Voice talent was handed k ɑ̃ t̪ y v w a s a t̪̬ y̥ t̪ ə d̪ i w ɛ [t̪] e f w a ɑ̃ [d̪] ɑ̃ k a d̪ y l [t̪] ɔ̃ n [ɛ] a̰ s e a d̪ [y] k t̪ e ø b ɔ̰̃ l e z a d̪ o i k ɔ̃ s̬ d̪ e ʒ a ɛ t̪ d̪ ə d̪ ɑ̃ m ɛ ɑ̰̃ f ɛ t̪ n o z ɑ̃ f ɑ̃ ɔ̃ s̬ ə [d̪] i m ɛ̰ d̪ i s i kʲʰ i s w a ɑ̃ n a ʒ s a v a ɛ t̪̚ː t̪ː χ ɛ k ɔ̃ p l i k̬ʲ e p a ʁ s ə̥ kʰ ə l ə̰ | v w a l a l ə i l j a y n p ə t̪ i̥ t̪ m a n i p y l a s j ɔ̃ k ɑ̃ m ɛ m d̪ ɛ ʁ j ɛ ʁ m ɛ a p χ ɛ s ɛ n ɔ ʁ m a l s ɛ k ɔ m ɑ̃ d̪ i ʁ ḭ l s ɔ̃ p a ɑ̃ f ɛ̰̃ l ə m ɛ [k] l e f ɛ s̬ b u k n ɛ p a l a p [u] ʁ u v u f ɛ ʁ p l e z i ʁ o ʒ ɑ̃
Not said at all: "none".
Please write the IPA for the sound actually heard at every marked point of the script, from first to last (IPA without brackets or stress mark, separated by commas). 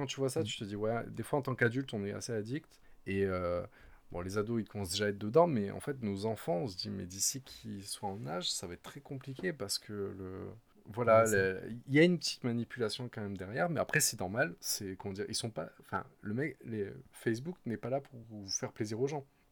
d̪, t̪, t̪, ɛ, i, d̪, k, u